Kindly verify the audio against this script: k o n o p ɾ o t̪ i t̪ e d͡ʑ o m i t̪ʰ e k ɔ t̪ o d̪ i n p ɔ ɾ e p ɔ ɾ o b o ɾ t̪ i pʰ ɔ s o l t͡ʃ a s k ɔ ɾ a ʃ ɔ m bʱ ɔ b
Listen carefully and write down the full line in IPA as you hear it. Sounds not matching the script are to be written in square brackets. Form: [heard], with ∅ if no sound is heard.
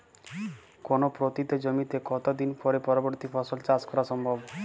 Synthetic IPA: k o n o p ɾ o t̪ i t̪ e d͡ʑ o m i [t̪] e k ɔ t̪ o d̪ i n p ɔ ɾ e p ɔ ɾ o b o ɾ t̪ i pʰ ɔ s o l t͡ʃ a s k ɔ ɾ a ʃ ɔ m bʱ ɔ b